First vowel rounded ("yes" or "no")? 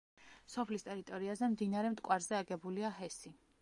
yes